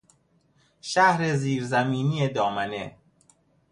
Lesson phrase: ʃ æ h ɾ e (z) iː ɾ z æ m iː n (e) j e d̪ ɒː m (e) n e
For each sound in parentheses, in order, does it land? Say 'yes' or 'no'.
yes, no, no

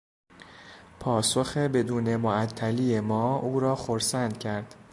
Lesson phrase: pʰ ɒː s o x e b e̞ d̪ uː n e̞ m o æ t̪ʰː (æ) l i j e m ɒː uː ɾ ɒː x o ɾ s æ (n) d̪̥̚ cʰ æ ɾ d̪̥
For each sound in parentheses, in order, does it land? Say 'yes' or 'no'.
yes, yes

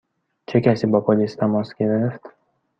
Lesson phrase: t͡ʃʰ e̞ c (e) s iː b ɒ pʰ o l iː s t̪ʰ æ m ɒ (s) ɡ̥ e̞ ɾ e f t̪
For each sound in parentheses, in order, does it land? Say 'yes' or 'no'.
no, yes

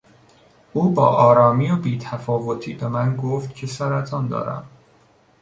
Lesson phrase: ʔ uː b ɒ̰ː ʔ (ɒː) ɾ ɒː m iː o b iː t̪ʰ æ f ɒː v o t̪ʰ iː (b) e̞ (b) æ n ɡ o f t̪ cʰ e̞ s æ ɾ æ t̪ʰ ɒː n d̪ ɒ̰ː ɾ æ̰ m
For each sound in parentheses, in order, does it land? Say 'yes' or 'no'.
yes, yes, no

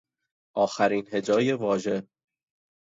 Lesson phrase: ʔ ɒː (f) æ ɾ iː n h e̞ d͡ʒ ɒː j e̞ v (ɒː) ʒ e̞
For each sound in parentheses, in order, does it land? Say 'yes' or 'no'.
no, yes

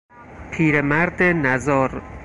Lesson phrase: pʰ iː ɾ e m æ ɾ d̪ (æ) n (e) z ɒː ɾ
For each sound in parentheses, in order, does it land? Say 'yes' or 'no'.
no, no

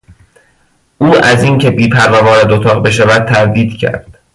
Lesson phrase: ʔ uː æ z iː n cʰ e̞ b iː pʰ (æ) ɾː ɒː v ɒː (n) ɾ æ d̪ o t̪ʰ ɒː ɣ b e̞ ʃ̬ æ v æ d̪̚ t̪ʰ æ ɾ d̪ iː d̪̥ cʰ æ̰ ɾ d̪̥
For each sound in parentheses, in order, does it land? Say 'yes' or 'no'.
yes, no

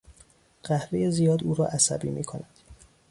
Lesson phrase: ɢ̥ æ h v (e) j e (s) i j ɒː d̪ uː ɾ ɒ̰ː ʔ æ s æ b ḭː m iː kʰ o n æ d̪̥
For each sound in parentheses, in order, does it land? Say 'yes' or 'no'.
yes, no

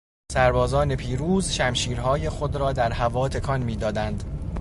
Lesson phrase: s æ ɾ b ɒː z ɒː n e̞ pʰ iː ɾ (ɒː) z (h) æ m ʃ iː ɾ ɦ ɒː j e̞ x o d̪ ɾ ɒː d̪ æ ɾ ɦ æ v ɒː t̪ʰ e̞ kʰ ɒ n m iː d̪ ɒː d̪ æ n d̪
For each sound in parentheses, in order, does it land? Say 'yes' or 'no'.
no, no

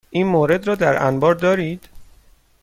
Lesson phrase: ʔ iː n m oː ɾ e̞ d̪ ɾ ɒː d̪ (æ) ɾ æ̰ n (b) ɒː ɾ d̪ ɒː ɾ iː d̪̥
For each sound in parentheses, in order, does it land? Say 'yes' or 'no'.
yes, yes

